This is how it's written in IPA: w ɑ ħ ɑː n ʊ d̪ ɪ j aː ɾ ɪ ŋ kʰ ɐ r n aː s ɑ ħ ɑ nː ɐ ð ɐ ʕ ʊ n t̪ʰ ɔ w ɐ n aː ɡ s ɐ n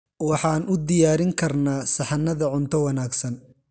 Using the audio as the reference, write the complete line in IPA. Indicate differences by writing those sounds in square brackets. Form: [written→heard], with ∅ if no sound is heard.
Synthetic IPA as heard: w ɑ ħ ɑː n ʊ d̪ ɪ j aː ɾ ɪ ŋ kʰ ɐ r n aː s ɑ ħ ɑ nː ɐ ð ɐ ʕ ʊ n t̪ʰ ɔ w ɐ n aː ɡ s ɐ n

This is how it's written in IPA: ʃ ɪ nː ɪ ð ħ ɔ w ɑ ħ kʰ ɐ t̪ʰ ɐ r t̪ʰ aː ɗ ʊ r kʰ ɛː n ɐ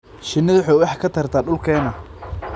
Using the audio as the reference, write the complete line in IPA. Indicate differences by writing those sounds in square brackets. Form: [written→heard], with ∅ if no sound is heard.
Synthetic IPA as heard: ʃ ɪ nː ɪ ð ħ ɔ w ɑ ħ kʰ ɐ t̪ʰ ɐ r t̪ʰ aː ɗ ʊ [r→l] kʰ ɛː n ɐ

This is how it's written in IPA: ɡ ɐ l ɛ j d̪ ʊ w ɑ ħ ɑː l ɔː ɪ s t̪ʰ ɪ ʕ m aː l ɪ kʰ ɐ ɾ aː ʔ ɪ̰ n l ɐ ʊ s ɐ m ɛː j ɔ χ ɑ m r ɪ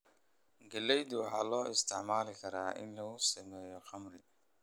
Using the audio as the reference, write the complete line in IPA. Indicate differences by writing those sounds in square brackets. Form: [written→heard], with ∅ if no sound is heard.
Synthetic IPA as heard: ɡ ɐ l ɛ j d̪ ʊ w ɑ ħ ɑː l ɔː ɪ s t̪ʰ ɪ ʕ m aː l ɪ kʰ ɐ ɾ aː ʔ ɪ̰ n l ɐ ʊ s ɐ m ɛː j ɔ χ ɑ m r ɪ

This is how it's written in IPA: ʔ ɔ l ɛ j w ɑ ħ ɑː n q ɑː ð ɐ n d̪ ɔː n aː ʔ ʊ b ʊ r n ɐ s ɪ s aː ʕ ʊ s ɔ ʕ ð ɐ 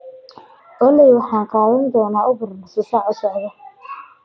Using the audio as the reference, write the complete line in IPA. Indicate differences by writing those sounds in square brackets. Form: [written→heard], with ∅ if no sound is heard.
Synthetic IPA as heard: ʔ ɔ l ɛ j w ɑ ħ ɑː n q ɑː ð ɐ n d̪ ɔː n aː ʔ ʊ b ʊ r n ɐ s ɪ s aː ʕ ʊ s ɔ ʕ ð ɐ

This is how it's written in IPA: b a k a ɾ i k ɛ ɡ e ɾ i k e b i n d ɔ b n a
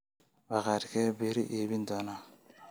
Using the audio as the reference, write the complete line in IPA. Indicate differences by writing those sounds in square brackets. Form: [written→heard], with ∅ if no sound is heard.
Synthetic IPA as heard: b a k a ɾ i k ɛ [ɡ→b] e ɾ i [k→ʔ] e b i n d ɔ [b→∅] n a

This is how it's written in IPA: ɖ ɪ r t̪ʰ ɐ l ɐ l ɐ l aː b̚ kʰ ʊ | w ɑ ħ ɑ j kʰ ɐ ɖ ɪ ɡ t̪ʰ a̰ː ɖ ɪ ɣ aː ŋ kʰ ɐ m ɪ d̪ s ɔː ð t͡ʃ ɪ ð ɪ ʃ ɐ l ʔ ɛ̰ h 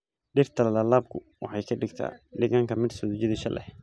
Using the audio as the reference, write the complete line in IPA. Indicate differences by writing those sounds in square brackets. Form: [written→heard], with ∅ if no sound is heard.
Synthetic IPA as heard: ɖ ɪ r t̪ʰ ɐ l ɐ l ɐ l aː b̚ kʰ ʊ | w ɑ ħ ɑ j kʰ ɐ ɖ ɪ ɡ t̪ʰ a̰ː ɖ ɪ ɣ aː ŋ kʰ ɐ m ɪ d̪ s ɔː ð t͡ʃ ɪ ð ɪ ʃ ɐ l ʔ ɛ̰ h

